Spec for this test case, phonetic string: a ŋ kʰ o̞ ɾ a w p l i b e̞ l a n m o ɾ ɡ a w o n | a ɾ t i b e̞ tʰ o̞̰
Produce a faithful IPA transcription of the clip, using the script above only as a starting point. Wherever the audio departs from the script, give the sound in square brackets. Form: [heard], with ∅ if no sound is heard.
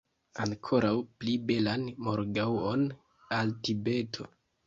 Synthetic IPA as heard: a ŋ kʰ o̞ ɾ a w p l i b e̞ l a n m o ɾ ɡ a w o n | a [l] t i b e̞ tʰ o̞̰